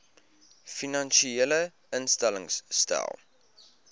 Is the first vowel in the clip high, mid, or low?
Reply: high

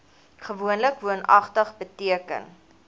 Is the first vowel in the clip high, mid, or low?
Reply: mid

